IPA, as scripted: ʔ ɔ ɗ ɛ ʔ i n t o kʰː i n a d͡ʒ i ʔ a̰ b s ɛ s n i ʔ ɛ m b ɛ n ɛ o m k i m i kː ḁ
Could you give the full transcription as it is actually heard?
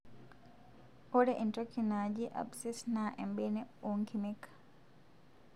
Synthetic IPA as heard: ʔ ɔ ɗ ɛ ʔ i n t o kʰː i n a d͡ʒ i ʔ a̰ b s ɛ s n a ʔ ɛ m b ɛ n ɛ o ŋ k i m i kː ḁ